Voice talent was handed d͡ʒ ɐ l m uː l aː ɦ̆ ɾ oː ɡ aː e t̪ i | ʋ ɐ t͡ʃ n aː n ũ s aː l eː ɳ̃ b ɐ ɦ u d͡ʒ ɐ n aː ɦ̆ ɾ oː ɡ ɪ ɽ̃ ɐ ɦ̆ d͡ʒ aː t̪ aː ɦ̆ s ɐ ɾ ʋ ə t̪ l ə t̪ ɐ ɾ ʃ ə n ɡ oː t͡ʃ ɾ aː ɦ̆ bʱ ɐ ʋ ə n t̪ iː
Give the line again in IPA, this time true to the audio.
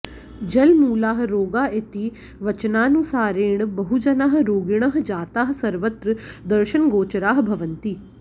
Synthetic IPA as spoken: d͡ʒ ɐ l m uː l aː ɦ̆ ɾ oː ɡ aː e t̪ i | ʋ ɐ t͡ʃ n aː n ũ s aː ɾ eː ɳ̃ b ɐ ɦ u d͡ʒ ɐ n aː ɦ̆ ɾ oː ɡ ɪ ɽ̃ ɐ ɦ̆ d͡ʒ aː t̪ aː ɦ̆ s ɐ ɾ ʋ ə t̪ ɾ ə d̪ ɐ ɾ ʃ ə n ɡ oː t͡ʃ ɾ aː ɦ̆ bʱ ɐ ʋ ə n t̪ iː

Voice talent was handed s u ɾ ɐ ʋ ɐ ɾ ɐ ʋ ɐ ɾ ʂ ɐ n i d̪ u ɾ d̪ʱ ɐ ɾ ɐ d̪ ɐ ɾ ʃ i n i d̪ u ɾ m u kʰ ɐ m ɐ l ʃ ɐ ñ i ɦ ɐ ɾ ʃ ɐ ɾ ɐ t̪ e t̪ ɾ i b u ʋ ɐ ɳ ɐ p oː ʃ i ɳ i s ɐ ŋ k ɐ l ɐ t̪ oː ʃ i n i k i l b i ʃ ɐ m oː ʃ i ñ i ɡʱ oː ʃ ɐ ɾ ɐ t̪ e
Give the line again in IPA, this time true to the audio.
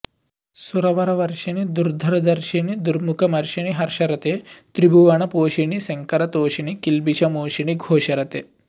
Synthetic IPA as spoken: s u ɾ ɐ ʋ ɐ ɾ ɐ ʋ ɐ ɾ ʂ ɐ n i d̪ u ɾ d̪ʱ ɐ ɾ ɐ d̪ ɐ ɾ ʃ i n i d̪ u ɾ m u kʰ ɐ m ɐ ɾ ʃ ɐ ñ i ɦ ɐ ɾ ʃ ɐ ɾ ɐ t̪ e t̪ ɾ i b u ʋ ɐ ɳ ɐ p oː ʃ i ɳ i s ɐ ŋ k ɐ ɾ ɐ t̪ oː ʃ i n i k i l b i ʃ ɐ m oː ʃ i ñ i ɡʱ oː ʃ ɐ ɾ ɐ t̪ e

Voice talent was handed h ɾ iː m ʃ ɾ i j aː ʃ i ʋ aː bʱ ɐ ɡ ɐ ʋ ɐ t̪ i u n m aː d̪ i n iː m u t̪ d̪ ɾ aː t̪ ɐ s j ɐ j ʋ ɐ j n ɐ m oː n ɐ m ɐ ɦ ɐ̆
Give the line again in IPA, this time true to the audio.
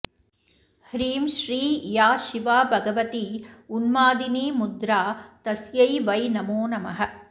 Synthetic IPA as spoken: h ɾ iː m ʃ ɾ iː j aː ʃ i ʋ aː bʱ ɐ ɡ ɐ ʋ ɐ t̪ i u n m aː d̪ i n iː m u d̪ ɾ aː t̪ ɐ s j ɐ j ʋ ɐ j n ɐ m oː n ɐ m ɐ ɦ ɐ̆

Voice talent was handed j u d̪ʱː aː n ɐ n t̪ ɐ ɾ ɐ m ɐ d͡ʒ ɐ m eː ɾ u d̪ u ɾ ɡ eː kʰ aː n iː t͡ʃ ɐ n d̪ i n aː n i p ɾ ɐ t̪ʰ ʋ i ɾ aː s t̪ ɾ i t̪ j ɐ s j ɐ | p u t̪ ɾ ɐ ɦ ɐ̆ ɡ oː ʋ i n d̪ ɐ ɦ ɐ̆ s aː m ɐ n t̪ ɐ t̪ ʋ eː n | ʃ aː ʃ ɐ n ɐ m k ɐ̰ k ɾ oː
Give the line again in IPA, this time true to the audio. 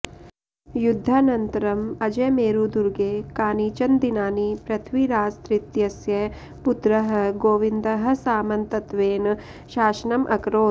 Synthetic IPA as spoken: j u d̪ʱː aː n ɐ n t̪ ɐ ɾ ɐ m ɐ d͡ʒ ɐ m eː ɾ u d̪ u ɾ ɡ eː k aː n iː t͡ʃ ɐ n d̪ i n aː n i p ɾ ɐ t̪ʰ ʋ i ɾ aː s t̪ ɾ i t̪ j ɐ s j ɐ | p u t̪ ɾ ɐ ɦ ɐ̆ ɡ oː ʋ i n d̪ ɐ ɦ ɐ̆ s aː m ɐ n t̪ ɐ t̪ ʋ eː n | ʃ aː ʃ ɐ n ɐ m ʔ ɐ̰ k ɾ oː

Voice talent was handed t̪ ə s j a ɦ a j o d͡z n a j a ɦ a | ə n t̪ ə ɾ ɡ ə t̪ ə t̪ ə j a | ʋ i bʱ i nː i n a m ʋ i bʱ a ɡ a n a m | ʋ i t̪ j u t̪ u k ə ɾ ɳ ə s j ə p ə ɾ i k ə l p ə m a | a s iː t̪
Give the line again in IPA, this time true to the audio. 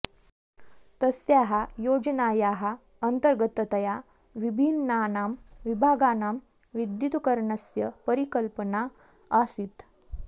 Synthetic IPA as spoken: t̪ ə s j a ɦ a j o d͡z n a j a ɦ a | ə n t̪ ə ɾ ɡ ə t̪ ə t̪ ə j a | ʋ i bʱ i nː a n a m ʋ i bʱ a ɡ a n a m | ʋ i d̪ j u t̪ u k ə ɾ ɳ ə s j ə p ə ɾ i k ə l p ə n a | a s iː t̪

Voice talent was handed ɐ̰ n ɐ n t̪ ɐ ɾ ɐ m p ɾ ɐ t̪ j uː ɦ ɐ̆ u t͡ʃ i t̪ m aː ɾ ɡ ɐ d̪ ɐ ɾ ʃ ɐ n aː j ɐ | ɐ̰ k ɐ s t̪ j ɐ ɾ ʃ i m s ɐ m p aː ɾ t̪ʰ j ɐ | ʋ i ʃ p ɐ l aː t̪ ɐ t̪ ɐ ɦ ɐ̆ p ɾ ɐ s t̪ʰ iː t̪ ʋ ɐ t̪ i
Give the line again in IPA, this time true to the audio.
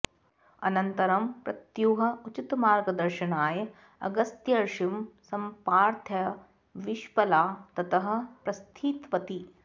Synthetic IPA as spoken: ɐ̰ n ɐ n t̪ ɐ ɾ ɐ m p ɾ ɐ t̪ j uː ɦ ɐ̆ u t͡ʃ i t̪ m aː ɾ ɡ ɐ d̪ ɐ ɾ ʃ ɐ n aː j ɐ | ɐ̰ ɡ ɐ s t̪ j ɐ ɾ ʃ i m s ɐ m p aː ɾ t̪ʰ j ɐ | ʋ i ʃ p ɐ l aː t̪ ɐ t̪ ɐ ɦ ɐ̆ p ɾ ɐ s t̪ʰ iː t̪ ʋ ɐ t̪ i

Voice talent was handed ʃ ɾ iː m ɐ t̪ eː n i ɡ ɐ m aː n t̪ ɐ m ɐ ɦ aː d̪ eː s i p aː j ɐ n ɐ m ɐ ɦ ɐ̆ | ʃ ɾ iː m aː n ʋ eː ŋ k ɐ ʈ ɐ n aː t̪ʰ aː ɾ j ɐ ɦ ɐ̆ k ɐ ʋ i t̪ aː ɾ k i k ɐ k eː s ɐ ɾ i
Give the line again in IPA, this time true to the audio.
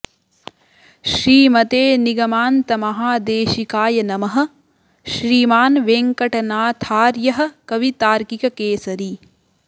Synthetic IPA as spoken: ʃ ɾ iː m ɐ t̪ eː n i ɡ ɐ m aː n t̪ ɐ m ɐ ɦ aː d̪ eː ʃ i k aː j ɐ n ɐ m ɐ ɦ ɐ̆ | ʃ ɾ iː m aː n ʋ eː ŋ k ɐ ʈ ɐ n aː t̪ʰ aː ɾ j ɐ ɦ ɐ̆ k ɐ ʋ i t̪ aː ɾ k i k ɐ k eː s ɐ ɾ i

